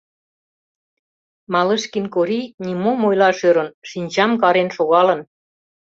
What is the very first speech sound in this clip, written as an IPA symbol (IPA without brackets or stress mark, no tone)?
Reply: m